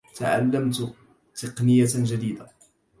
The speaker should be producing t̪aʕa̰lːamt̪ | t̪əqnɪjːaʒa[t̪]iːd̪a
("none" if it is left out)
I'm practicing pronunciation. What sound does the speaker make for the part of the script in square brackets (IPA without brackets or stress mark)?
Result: d̪